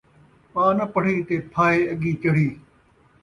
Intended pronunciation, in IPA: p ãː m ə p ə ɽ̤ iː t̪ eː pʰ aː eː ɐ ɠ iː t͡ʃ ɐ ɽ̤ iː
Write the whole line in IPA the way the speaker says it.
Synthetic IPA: p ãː n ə p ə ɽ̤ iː t̪ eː pʰ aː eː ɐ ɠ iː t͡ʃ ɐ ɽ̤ iː